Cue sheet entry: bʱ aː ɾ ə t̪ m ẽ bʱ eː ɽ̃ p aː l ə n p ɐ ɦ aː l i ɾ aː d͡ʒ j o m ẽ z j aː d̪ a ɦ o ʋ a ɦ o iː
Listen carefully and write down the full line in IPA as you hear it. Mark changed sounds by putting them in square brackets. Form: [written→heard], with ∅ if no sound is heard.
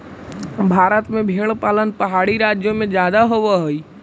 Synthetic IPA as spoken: bʱ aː ɾ ə t̪ m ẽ bʱ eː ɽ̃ p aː l ə n p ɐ ɦ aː [l→ɽ] i ɾ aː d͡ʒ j o m ẽ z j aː d̪ a ɦ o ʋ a ɦ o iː